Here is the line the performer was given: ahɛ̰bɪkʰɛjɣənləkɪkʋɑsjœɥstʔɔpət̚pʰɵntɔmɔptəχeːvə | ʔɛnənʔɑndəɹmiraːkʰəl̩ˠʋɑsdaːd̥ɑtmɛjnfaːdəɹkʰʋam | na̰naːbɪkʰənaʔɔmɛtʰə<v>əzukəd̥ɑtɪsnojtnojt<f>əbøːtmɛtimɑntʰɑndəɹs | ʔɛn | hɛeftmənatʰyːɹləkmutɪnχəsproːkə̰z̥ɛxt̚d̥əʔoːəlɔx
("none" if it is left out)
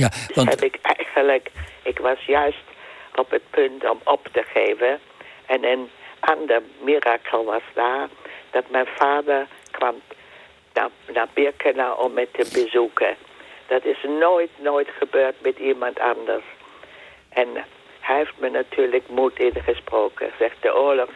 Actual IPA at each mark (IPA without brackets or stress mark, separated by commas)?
b, χ